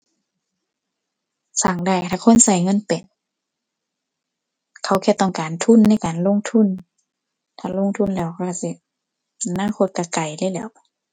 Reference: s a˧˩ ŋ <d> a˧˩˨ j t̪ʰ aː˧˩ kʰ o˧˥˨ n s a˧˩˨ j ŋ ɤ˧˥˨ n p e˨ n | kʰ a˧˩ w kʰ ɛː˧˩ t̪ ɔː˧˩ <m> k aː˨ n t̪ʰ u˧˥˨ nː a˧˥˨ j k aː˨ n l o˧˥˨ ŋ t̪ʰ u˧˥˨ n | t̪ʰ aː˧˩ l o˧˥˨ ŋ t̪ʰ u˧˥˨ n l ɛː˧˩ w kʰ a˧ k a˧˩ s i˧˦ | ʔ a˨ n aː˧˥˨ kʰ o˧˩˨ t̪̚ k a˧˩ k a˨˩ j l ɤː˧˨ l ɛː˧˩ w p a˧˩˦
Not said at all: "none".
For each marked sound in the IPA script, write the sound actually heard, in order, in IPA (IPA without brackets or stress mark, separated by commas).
d, ŋ